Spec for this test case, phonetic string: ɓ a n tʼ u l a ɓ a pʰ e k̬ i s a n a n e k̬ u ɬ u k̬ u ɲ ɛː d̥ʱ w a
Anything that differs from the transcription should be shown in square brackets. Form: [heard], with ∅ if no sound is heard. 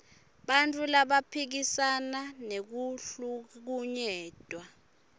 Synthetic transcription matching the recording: ɓ a n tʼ u l a ɓ a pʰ [i] k̬ i s a n a n e k̬ u ɬ u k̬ u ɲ ɛː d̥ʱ w a